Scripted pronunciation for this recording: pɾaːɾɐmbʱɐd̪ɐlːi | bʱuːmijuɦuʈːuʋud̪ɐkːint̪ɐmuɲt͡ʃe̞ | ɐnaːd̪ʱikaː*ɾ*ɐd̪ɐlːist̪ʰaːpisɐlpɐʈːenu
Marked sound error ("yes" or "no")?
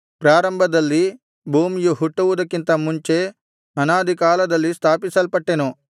yes